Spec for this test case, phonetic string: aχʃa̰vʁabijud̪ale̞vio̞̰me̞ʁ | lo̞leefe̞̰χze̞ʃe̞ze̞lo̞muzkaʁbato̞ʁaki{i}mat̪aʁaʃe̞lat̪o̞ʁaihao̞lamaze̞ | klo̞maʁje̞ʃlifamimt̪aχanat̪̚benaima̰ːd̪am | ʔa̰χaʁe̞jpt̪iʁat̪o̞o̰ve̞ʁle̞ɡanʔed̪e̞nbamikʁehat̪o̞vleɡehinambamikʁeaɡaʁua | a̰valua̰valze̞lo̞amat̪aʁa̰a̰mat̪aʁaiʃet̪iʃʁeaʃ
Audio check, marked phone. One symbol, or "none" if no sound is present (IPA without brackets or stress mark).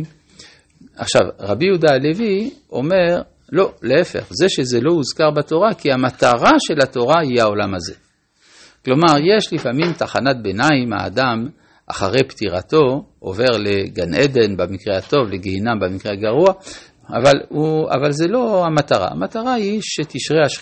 a